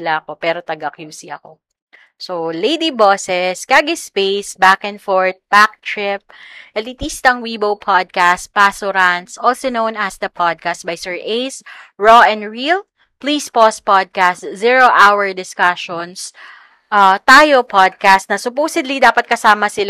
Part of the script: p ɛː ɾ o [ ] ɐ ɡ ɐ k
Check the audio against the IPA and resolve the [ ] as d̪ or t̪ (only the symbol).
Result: t̪